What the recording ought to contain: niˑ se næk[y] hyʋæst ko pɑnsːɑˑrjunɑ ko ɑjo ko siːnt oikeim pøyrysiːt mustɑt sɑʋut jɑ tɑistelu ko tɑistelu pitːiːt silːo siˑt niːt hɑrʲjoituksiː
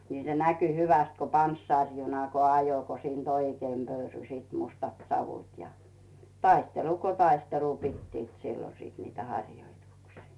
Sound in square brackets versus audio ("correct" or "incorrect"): correct